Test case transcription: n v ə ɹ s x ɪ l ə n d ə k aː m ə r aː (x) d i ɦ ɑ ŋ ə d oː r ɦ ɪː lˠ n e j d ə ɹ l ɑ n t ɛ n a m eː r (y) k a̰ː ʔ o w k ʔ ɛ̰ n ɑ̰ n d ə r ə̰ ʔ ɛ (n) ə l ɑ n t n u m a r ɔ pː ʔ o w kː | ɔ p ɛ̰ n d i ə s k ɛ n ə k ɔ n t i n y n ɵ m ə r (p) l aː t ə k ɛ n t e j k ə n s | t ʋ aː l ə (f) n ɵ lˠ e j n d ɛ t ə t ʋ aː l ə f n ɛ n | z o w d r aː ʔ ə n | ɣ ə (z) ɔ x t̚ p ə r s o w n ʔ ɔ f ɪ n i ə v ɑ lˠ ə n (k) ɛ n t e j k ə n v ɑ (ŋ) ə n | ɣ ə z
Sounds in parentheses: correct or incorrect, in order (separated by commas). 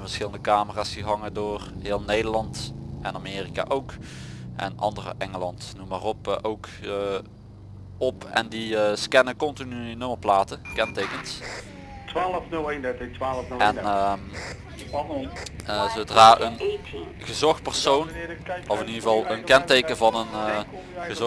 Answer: incorrect, incorrect, incorrect, correct, correct, correct, correct, incorrect